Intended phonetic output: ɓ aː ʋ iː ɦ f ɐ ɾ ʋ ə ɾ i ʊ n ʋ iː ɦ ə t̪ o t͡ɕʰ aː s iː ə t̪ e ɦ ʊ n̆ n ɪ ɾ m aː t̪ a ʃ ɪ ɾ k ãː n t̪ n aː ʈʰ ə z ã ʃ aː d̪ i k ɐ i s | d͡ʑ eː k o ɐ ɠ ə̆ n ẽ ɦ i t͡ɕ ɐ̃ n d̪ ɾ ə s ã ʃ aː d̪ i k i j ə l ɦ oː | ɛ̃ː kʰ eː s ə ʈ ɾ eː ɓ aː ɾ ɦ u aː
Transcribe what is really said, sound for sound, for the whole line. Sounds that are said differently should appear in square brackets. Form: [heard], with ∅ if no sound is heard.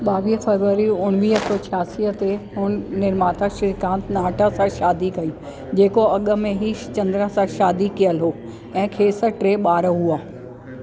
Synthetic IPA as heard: ɓ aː ʋ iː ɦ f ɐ ɾ ʋ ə ɾ i ʊ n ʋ iː ɦ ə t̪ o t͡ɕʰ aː s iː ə t̪ e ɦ ʊ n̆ n ɪ ɾ m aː t̪ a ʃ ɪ ɾ k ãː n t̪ n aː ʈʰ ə [s] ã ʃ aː d̪ i k ɐ i [∅] | d͡ʑ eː k o ɐ ɠ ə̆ [m] ẽ ɦ i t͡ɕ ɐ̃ n d̪ ɾ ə s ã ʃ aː d̪ i k i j ə l ɦ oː | ɛ̃ː kʰ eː s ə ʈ ɾ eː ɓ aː ɾ ɦ u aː